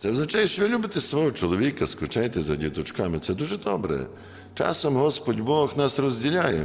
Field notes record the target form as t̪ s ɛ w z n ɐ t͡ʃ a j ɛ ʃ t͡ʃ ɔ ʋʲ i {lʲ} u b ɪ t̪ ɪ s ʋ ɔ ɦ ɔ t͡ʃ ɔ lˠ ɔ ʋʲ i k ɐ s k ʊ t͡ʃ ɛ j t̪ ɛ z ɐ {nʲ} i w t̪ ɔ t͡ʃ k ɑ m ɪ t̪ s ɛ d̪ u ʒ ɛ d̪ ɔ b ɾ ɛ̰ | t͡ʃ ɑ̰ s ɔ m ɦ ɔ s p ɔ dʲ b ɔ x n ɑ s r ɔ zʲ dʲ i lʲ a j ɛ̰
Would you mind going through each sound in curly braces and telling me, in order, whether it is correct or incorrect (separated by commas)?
correct, incorrect